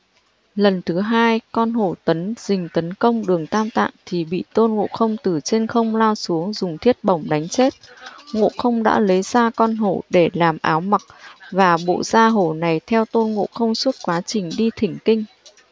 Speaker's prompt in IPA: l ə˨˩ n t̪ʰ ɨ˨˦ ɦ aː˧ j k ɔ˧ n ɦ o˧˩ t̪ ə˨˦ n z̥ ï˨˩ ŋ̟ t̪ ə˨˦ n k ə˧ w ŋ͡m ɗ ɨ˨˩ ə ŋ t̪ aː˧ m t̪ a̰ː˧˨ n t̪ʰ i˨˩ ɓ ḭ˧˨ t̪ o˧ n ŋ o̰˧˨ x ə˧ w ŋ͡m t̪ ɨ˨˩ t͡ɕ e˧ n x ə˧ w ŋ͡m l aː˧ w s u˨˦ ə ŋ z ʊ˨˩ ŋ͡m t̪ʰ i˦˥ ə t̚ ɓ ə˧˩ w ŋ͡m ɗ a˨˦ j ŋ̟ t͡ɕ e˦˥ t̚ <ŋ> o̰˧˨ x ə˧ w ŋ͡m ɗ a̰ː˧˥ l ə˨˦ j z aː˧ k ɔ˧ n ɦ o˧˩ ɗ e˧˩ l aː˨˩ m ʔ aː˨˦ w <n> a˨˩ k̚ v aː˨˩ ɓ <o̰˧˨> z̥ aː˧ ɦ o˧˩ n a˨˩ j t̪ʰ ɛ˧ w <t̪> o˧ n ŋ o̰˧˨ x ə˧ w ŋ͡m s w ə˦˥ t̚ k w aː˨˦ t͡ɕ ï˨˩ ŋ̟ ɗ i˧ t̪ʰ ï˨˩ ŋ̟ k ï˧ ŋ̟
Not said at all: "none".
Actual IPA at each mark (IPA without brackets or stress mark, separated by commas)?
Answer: ŋ, m, o̰˧˨, t̪